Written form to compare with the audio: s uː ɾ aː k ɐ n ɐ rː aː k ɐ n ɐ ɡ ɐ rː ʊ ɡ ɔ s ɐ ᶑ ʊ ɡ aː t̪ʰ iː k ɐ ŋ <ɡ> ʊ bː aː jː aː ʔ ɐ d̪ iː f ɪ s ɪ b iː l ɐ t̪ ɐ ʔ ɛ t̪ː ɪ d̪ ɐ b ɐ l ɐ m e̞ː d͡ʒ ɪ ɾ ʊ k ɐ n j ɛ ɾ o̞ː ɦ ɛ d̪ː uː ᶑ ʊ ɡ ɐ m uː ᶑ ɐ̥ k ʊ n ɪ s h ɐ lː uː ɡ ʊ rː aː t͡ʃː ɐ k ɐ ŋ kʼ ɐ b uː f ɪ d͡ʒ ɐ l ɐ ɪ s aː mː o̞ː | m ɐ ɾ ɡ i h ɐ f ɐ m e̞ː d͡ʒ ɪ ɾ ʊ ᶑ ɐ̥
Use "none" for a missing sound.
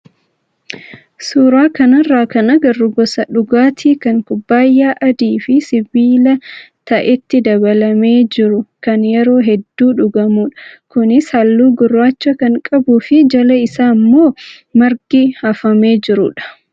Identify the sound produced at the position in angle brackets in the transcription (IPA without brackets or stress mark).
k